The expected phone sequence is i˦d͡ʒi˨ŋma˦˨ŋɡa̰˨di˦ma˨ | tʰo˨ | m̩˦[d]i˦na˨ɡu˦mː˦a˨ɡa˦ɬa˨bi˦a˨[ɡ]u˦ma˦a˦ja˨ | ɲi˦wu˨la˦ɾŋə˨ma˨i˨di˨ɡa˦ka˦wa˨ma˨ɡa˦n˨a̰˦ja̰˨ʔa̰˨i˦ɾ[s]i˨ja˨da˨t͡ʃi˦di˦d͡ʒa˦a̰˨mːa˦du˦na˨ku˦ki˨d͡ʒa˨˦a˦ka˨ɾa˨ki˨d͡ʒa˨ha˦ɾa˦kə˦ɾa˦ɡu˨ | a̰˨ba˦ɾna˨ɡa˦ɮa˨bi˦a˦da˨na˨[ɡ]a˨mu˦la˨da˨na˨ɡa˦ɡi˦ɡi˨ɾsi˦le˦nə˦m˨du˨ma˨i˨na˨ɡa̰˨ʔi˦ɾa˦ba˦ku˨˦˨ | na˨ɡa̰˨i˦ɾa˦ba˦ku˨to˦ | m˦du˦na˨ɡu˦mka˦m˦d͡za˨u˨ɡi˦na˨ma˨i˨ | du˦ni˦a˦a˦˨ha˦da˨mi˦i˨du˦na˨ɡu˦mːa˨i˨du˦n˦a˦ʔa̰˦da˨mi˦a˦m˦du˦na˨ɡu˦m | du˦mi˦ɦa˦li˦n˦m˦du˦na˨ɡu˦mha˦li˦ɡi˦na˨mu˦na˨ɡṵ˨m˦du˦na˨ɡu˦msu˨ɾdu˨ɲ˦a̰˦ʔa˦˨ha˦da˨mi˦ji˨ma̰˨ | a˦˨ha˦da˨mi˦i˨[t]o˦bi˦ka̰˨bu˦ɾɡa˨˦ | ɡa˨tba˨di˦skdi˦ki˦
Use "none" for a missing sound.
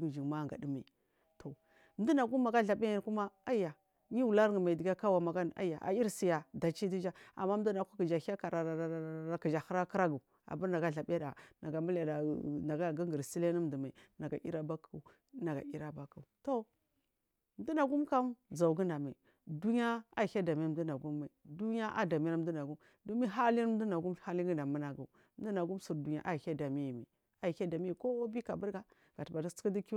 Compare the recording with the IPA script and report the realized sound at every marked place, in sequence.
d, k, s, ɡ, k

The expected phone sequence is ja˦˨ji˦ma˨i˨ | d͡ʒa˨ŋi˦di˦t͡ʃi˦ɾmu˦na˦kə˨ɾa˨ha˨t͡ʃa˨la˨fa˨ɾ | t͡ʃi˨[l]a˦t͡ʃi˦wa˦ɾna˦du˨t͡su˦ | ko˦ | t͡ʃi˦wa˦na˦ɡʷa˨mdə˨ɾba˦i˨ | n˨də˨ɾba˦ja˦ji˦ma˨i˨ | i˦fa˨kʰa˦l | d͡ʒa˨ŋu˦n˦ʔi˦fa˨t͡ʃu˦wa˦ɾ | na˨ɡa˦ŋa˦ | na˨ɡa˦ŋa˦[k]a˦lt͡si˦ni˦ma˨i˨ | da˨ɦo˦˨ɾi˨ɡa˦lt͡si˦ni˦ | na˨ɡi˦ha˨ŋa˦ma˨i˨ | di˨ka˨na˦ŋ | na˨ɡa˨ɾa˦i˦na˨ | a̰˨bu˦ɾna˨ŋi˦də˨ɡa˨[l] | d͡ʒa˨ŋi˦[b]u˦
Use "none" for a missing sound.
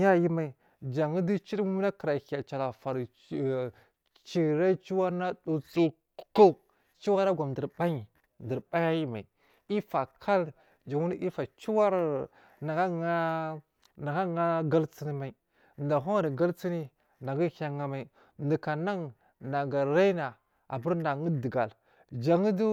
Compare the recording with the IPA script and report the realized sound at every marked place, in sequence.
ɾ, ɡ, l, d

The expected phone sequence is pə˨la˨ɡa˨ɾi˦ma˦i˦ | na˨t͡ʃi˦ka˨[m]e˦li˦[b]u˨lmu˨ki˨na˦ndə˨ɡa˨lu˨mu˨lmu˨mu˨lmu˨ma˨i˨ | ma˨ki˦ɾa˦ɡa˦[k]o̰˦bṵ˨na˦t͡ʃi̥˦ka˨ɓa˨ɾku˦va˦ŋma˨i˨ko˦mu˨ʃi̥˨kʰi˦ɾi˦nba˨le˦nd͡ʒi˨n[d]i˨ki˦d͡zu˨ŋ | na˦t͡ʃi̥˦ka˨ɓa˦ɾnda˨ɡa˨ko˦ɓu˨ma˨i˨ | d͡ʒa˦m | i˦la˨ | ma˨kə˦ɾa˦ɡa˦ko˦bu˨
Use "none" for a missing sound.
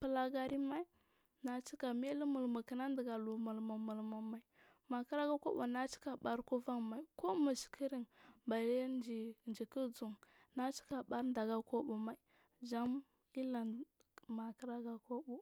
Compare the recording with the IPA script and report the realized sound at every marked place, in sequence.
m, m, k, d͡ʒ

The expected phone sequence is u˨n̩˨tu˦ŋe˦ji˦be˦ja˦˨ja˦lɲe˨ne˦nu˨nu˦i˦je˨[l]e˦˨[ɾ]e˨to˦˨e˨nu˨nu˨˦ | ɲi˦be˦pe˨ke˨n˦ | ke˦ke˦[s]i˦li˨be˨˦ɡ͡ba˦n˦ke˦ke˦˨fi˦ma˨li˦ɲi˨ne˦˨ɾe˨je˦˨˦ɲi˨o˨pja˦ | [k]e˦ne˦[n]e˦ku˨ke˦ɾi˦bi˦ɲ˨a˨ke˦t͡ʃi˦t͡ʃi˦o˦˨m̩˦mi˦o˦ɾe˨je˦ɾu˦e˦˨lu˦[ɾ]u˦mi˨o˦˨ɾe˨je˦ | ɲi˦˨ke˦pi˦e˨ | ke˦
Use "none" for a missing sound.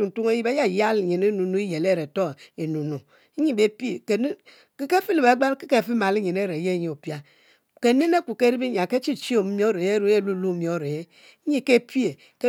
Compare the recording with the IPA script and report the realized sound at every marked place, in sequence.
l, ɾ, f, k, n, l

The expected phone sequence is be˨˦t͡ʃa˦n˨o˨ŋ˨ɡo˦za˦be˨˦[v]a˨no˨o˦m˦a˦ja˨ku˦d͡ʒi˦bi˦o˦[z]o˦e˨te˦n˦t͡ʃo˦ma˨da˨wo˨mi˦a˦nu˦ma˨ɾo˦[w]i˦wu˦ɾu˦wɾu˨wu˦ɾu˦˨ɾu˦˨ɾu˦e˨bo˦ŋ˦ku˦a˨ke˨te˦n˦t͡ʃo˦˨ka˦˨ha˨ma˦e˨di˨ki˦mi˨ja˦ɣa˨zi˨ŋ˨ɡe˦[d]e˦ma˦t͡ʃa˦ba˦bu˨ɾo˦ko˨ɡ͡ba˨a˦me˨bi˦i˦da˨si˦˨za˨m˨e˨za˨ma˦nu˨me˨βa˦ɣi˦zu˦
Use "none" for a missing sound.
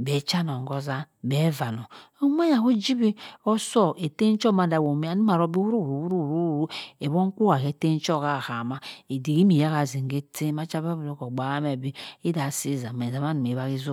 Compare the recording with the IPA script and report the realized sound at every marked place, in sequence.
v, s, b, t

